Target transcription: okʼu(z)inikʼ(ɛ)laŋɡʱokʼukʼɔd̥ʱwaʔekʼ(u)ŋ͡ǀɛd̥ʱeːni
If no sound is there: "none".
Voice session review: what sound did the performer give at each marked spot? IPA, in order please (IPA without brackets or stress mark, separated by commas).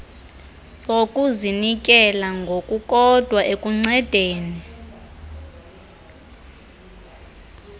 z, ɛ, u